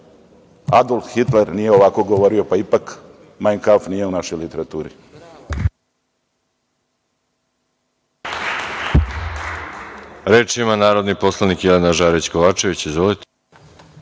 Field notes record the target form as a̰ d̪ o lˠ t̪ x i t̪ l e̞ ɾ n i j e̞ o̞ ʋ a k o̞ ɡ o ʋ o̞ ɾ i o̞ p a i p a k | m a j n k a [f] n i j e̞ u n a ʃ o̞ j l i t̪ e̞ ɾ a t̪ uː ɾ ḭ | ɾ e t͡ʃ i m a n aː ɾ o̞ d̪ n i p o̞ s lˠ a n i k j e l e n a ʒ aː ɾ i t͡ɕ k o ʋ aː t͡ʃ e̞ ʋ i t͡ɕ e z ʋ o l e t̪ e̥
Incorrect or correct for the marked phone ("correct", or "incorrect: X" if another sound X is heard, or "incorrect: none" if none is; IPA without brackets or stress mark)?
correct